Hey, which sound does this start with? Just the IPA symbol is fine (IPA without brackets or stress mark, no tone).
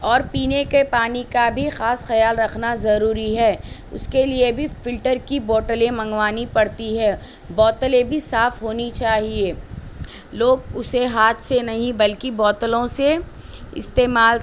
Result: ɔː